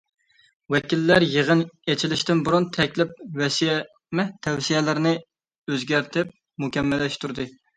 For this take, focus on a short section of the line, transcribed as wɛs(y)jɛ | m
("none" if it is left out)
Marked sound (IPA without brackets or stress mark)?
i